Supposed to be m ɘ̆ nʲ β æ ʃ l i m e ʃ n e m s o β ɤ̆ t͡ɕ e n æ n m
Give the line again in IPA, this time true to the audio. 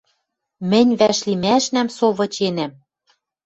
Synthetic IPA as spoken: m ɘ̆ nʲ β æ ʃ l i m æ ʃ n æ m s o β ɤ̆ t͡ɕ e n æ m

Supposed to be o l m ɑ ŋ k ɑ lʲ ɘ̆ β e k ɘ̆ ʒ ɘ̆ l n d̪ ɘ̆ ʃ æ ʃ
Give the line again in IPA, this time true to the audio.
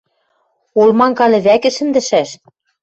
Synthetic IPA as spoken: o l m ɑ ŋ k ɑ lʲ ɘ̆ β æ k ɘ̆ ʃ ɘ̆ n d̪ ɘ̆ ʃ æ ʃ

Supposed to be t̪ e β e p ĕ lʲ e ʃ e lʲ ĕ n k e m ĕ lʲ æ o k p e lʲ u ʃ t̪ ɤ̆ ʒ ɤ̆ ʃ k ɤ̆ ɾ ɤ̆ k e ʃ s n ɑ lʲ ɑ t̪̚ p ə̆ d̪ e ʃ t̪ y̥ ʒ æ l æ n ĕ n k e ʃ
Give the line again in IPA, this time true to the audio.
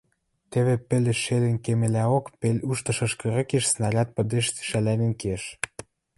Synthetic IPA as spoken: t̪ e β e p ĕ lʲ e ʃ e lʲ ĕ n k e m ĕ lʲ æ o k p e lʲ u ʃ t̪ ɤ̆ ʃ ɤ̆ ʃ k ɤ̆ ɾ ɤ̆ k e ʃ s n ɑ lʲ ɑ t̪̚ p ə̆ d̪ e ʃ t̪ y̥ ʃ æ l æ n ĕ n k e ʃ

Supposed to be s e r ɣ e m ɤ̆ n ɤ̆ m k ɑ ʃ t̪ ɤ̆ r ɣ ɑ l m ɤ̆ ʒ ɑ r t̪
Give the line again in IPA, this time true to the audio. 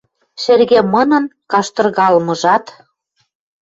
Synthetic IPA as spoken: ʃ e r ɣ e m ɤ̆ n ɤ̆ n k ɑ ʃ t̪ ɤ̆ r ɣ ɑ l m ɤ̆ ʒ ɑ t̪

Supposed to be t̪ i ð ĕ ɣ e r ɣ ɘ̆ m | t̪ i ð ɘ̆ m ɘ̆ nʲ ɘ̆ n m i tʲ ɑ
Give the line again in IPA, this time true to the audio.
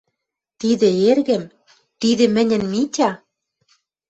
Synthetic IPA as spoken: t̪ i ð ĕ e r ɣ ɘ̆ m | t̪ i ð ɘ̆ m ɘ̆ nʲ ɘ̆ n m i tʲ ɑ

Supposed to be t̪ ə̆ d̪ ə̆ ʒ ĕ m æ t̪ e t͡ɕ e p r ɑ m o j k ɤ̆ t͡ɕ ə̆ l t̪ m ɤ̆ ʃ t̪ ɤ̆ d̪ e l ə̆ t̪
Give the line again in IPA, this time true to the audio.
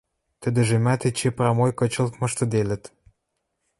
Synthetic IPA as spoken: t̪ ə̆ d̪ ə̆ ʒ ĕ m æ t̪ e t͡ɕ e p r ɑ m o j k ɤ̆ t͡ɕ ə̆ l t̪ m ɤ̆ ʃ t̪ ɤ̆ d̪ e l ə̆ t̪

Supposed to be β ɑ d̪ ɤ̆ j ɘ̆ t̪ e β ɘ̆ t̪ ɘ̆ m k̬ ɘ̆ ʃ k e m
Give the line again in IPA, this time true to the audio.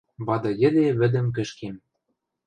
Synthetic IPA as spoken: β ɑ d̪ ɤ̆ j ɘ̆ d̪ e β ɘ̆ d̪ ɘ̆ m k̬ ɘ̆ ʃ k e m

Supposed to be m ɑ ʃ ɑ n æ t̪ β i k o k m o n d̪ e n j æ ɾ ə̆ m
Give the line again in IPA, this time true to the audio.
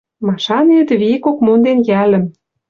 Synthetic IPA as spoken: m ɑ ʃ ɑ n e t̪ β i k o k m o n d̪ e n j æ l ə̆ m

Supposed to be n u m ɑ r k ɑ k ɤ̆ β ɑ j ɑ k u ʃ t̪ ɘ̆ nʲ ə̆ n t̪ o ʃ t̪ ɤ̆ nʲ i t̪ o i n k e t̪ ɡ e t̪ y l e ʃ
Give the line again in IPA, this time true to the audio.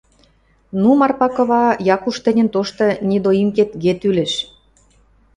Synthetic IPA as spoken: n u m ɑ r p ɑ k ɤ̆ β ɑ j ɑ k u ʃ t̪ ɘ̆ nʲ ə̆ n t̪ o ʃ t̪ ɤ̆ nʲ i d̪ o i m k e t̪ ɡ e t̪ y l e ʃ

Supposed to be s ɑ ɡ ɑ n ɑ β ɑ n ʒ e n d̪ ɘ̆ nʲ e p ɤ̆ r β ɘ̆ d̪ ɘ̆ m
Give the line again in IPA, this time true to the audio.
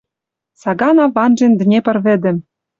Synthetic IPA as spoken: s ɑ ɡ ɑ n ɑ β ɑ n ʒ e n d̪ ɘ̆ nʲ e p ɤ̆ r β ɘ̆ d̪ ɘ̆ m

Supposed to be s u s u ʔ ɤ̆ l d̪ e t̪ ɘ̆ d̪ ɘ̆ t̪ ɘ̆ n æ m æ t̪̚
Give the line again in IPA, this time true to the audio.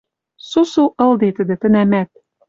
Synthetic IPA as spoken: s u s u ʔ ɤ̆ l d̪ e t̪ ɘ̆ d̪ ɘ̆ t̪ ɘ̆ n æ m æ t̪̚

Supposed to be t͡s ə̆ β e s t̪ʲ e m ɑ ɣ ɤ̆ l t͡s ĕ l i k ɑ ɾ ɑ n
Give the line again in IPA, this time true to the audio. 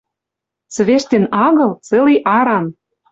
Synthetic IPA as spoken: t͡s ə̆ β e ʃ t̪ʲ e n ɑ ɣ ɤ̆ l t͡s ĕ l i ʔ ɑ ɾ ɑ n

